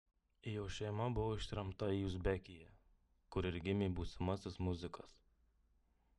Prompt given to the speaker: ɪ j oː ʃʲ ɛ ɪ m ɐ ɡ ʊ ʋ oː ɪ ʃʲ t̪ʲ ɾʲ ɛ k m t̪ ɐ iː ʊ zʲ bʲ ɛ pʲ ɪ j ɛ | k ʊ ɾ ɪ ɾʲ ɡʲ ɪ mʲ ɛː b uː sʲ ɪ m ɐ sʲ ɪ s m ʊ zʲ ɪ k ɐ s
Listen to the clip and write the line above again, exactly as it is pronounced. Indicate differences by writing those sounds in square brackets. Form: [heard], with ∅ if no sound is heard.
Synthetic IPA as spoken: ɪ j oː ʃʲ ɛ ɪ m ɐ [b] ʊ ʋ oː ɪ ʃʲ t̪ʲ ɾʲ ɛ [∅] m t̪ ɐ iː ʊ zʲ bʲ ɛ [kʲ] ɪ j ɛ | k ʊ ɾ ɪ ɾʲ ɡʲ ɪ mʲ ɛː b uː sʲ ɪ m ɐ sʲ ɪ s m ʊ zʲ ɪ k ɐ s